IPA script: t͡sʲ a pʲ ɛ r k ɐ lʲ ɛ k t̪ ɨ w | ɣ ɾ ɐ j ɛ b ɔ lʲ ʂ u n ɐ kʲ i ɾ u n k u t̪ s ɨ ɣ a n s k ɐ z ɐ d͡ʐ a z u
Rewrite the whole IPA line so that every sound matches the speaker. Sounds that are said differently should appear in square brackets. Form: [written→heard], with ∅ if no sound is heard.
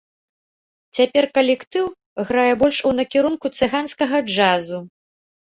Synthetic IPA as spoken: t͡sʲ a pʲ ɛ r k ɐ lʲ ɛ k t̪ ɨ w | ɣ ɾ [ɐ→a] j ɛ b ɔ lʲ ʂ u n ɐ kʲ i ɾ u n k u t̪ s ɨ ɣ a n s k ɐ [z→ɣ] ɐ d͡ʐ a z u